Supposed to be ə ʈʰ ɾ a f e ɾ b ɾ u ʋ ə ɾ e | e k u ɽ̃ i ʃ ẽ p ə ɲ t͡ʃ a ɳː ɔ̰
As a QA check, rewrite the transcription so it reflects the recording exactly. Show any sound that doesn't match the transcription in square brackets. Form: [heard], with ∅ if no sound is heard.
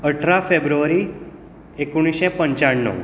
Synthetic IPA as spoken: ə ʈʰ ɾ a f e [∅] b ɾ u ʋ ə ɾ [i] | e k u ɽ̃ i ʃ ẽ p ə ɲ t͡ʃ a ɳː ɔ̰